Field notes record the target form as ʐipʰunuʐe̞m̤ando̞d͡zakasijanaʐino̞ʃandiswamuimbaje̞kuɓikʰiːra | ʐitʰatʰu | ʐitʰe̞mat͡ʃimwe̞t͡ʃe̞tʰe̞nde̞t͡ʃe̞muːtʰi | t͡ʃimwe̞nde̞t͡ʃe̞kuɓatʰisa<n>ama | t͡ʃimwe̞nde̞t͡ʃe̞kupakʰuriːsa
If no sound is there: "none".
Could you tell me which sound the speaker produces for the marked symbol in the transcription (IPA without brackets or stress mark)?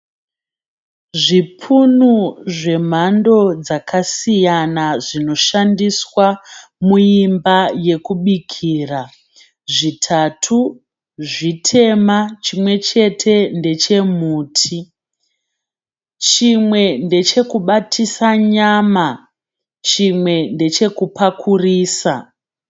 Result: ɲ